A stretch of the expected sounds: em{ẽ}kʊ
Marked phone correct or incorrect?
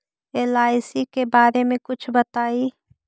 correct